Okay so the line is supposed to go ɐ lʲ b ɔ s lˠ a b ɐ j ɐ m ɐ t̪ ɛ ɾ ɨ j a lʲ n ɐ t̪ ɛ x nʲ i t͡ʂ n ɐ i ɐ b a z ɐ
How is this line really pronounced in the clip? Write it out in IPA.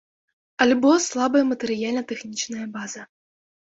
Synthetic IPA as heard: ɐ lʲ b ɔ s lˠ a b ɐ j ɐ m ɐ t̪ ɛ ɾ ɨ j a lʲ n ɐ t̪ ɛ x nʲ i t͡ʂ n ɐ j ɐ b a z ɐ